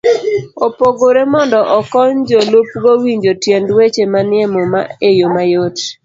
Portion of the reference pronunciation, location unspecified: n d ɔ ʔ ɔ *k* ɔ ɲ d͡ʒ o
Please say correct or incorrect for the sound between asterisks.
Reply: correct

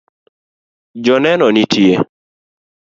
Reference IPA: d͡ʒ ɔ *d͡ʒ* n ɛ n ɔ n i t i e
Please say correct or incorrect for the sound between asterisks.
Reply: incorrect: none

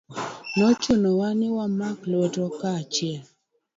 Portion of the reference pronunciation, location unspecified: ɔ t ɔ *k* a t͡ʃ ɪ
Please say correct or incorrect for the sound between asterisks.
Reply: correct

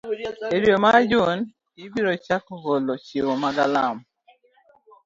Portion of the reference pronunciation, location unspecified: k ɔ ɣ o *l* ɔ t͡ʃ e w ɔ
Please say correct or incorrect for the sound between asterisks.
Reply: correct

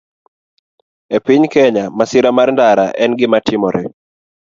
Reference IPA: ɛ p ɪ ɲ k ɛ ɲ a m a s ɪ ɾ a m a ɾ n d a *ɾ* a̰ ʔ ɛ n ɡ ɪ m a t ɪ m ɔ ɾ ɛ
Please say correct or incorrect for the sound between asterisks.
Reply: correct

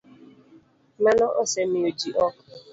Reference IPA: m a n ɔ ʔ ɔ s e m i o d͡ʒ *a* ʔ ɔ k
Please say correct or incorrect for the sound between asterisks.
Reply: incorrect: i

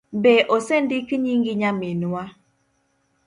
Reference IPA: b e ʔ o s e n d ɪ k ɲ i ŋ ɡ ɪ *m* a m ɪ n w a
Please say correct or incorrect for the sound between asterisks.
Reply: incorrect: ɲ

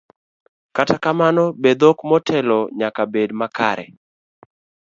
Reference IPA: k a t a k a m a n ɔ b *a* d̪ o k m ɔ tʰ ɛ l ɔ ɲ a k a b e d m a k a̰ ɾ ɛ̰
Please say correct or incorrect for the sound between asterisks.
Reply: incorrect: e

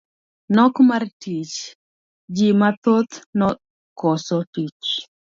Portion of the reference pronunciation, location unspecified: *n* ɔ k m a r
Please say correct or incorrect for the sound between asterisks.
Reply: correct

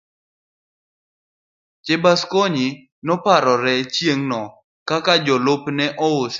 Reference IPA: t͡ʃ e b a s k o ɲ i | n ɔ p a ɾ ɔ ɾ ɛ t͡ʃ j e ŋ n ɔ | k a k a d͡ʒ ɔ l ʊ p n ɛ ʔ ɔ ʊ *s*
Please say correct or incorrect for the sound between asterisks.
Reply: correct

